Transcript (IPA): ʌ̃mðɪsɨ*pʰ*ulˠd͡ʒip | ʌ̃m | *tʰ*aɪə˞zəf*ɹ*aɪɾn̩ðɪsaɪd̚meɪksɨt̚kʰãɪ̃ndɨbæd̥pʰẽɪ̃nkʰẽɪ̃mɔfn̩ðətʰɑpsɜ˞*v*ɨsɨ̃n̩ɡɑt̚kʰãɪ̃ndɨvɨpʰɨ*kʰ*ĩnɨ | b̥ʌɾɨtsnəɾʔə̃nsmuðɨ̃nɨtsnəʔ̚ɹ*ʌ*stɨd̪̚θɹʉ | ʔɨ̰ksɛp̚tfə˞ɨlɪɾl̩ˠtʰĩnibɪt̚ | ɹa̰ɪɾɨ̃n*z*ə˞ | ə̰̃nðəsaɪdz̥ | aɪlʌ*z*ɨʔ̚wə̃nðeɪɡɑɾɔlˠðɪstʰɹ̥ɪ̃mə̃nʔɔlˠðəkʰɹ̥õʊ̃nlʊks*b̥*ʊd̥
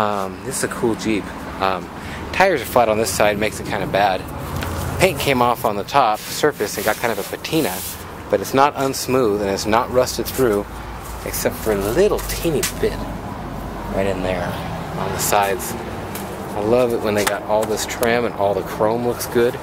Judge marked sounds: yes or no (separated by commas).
no, yes, no, no, no, yes, no, no, no